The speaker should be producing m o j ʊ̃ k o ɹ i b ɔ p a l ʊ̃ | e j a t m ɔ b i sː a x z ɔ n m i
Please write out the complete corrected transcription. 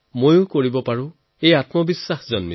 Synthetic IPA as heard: m o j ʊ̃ k o ɹ i b ɔ p a ɹ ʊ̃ | e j a t m ɔ b i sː a x z ɔ n m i